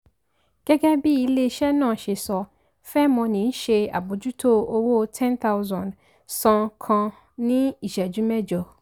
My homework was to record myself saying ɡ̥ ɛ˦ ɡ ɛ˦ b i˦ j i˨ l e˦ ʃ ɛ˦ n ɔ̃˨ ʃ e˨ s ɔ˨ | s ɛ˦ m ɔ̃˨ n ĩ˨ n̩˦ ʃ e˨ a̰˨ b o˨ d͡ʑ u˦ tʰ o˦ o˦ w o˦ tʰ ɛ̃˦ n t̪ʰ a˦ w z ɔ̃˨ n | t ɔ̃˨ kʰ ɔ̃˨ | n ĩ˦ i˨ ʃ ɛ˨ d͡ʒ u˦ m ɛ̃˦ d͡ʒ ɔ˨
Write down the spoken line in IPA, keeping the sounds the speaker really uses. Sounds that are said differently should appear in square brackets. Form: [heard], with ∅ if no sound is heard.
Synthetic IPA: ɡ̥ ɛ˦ ɡ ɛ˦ b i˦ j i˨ l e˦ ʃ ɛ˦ n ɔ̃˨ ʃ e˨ s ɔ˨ | [f] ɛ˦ m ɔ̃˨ n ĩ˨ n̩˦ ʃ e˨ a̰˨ b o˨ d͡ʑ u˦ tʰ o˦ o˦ w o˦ tʰ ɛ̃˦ n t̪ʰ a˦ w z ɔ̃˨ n | [s] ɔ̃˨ kʰ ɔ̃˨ | n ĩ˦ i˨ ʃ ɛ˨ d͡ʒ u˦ m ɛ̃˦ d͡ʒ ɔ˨

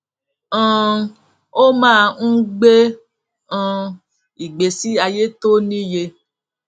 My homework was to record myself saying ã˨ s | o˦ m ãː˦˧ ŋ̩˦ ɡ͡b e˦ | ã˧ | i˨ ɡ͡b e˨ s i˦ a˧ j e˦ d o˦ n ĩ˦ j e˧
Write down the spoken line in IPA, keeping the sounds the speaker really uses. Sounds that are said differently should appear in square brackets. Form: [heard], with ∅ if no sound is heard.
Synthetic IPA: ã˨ [∅] | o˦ m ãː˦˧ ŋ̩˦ ɡ͡b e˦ | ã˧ | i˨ ɡ͡b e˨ s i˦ a˧ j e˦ [t] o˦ n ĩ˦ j e˧

